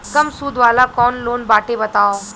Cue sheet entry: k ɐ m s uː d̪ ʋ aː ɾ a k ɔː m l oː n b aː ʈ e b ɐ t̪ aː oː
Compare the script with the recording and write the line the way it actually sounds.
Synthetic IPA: k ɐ m s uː d̪ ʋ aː l a k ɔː n l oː n b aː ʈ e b ɐ t̪ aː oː